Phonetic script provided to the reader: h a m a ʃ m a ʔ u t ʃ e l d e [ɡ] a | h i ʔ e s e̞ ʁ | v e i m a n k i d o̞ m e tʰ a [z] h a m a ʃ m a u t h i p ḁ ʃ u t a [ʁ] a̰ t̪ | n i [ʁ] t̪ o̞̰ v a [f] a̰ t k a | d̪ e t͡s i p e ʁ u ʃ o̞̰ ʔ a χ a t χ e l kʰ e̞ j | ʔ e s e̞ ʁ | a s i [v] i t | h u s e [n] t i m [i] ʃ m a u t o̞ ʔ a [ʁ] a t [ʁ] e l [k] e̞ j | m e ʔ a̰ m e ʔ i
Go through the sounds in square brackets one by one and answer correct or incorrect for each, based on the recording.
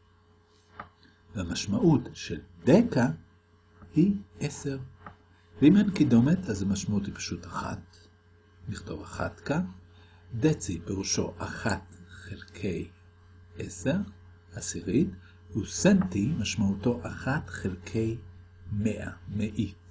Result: incorrect, correct, incorrect, incorrect, incorrect, incorrect, correct, incorrect, incorrect, incorrect, incorrect

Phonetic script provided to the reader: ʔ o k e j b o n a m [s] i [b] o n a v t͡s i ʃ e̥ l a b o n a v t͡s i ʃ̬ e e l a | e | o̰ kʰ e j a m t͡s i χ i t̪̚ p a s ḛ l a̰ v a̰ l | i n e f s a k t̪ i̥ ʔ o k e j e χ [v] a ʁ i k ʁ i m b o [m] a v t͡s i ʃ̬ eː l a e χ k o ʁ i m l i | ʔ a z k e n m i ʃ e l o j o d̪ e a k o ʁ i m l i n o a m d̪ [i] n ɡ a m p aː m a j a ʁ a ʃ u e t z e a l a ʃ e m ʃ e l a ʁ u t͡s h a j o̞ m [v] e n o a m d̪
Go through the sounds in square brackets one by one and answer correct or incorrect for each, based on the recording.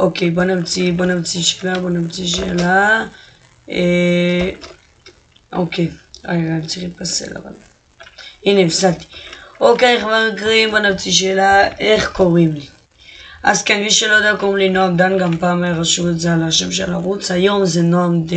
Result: incorrect, correct, correct, incorrect, incorrect, incorrect

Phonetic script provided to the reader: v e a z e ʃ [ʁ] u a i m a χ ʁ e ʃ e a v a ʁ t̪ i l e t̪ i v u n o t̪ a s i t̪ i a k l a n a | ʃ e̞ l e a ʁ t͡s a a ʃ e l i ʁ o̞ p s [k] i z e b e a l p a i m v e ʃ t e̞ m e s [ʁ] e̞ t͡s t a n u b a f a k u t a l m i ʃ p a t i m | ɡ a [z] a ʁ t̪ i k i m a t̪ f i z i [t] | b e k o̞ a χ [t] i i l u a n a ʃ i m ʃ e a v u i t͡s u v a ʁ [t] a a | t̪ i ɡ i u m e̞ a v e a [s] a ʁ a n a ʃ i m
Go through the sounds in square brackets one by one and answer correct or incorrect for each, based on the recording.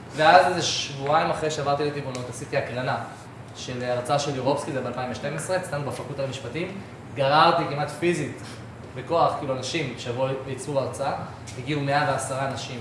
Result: incorrect, correct, correct, incorrect, correct, incorrect, incorrect, correct

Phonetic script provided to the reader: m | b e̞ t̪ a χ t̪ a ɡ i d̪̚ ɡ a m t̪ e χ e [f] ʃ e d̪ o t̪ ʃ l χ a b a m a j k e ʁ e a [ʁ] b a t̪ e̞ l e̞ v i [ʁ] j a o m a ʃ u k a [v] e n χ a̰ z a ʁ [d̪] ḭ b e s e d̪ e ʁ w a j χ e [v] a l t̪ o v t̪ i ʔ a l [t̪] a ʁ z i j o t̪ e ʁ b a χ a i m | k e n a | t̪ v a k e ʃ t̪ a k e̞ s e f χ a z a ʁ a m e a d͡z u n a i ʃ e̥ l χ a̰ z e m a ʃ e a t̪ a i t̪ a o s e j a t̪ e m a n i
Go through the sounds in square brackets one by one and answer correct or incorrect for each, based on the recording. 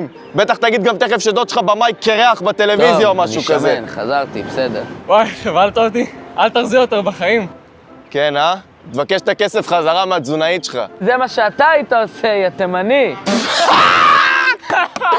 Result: correct, incorrect, incorrect, incorrect, incorrect, correct, correct

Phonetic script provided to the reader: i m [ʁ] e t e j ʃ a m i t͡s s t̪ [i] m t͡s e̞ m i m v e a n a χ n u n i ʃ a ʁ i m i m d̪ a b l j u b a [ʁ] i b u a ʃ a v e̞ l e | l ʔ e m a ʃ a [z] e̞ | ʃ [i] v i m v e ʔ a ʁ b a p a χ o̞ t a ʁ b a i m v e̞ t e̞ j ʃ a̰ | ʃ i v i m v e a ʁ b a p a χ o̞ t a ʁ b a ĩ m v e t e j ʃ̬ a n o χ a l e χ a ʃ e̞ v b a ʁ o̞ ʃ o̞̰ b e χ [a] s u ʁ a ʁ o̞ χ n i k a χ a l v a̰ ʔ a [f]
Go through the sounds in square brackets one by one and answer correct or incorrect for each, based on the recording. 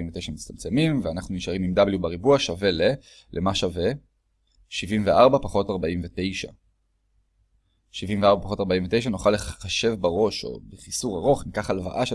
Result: incorrect, incorrect, correct, incorrect, correct, incorrect, incorrect

